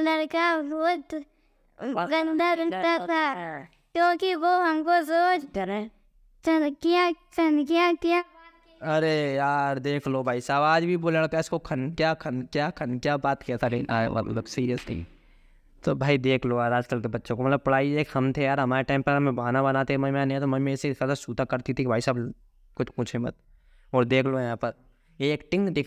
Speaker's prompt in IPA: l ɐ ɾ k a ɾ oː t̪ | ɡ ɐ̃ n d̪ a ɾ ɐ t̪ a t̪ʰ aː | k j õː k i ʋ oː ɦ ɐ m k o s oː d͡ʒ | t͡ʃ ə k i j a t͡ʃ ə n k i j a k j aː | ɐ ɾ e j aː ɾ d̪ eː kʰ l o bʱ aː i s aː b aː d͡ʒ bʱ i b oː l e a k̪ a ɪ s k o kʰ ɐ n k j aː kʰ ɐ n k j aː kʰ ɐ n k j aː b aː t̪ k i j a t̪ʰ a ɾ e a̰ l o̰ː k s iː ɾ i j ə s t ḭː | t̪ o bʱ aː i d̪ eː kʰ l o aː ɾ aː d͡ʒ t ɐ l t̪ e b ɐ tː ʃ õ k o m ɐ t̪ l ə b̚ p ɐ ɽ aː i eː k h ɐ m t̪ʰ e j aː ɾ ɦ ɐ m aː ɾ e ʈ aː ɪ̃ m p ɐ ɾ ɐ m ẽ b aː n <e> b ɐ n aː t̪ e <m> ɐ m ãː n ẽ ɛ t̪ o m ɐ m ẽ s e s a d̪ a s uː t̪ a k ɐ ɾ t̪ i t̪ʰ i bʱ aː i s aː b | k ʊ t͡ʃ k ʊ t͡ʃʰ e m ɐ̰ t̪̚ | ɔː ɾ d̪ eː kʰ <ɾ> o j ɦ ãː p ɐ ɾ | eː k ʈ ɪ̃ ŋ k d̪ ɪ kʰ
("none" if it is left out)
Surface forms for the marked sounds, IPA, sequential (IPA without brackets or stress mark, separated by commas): a, m, l